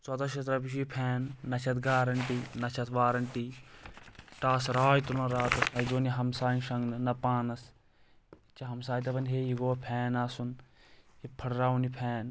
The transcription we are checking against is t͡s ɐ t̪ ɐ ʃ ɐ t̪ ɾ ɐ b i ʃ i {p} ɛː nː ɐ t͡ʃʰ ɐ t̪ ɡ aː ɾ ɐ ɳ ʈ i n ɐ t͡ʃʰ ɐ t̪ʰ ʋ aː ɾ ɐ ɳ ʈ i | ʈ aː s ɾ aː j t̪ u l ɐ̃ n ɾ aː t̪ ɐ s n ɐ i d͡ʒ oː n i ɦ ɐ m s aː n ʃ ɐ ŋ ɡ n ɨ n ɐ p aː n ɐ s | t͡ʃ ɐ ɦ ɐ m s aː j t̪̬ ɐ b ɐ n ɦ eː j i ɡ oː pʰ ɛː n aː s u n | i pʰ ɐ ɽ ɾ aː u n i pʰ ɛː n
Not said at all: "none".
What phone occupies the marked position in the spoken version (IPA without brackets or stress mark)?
pʰ